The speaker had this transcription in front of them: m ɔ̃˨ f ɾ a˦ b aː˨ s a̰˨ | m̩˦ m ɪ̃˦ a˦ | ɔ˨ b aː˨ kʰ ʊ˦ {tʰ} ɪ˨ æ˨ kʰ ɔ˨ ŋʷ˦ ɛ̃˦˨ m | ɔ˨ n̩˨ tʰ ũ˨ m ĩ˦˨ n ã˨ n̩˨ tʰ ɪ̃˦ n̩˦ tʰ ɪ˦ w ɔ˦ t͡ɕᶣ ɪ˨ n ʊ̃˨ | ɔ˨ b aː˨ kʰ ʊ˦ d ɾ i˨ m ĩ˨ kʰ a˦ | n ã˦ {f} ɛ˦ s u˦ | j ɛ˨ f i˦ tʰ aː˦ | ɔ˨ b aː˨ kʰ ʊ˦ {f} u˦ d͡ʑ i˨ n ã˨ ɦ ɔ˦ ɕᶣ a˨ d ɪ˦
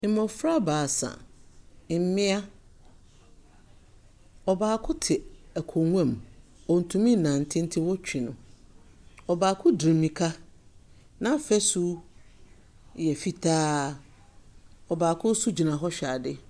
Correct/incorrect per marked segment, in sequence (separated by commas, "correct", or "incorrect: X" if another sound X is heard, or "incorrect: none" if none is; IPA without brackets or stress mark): correct, correct, incorrect: s